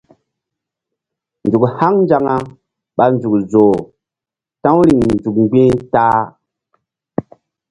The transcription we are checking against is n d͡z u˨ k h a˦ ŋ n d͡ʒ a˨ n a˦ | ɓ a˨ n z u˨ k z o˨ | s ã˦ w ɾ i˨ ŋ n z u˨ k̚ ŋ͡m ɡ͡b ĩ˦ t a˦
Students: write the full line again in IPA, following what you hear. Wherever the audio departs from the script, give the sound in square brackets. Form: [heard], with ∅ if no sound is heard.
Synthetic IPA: n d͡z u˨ k h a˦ ŋ n d͡ʒ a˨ [ŋ] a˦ | ɓ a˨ n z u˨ k z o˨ | [t] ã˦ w ɾ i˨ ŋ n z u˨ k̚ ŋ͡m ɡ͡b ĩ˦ t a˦